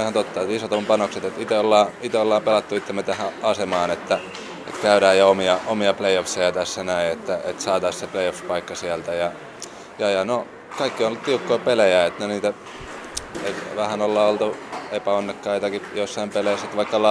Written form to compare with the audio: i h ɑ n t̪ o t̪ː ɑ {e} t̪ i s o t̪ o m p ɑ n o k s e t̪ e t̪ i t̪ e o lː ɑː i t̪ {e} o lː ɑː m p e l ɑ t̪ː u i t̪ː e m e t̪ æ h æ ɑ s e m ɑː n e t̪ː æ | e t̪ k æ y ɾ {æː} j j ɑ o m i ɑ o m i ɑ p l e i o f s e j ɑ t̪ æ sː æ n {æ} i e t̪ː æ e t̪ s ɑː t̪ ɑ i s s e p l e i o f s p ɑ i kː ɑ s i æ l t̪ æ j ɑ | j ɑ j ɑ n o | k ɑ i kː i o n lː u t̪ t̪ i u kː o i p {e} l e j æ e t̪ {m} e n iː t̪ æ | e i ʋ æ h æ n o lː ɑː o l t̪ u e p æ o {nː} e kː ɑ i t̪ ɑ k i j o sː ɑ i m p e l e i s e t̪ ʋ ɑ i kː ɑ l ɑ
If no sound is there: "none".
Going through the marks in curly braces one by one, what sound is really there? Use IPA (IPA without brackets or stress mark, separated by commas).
e, e, æː, æ, e, n, nː